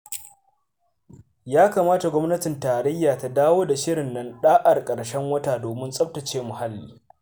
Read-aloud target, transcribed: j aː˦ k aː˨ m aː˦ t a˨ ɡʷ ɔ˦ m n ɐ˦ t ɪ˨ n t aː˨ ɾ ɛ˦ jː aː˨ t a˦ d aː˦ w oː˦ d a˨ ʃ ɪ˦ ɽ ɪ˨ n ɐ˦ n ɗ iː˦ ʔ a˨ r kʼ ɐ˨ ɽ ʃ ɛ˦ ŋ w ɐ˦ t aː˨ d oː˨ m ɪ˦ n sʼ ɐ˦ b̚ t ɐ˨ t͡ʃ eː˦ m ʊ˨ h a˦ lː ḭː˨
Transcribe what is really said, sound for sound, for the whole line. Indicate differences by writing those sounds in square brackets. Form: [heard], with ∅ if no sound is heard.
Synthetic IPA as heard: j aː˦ k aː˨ m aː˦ t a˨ ɡʷ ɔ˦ m n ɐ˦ t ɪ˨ n t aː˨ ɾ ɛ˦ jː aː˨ t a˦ d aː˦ w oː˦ d a˨ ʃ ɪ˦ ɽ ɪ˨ [nː] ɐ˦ n ɗ [aː˦] ʔ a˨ r kʼ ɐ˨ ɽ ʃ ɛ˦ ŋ w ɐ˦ t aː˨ d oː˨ m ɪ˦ n sʼ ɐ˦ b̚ t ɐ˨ t͡ʃ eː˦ m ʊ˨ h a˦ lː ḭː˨